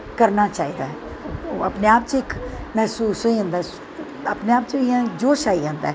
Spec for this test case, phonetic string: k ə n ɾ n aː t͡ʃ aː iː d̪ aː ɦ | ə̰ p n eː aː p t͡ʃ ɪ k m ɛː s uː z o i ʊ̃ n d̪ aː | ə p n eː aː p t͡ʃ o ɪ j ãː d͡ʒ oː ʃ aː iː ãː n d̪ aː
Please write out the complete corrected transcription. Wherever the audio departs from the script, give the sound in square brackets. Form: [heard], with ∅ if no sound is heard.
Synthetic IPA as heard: k ə [∅] ɾ n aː t͡ʃ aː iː d̪ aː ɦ | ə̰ p n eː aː p t͡ʃ ɪ k m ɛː s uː [s] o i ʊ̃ n d̪ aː | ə p n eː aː p t͡ʃ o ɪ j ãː d͡ʒ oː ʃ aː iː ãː n d̪ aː